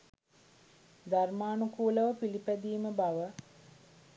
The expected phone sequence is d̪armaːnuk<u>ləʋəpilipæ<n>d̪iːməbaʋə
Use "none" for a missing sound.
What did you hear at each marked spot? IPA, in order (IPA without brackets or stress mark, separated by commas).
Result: uː, none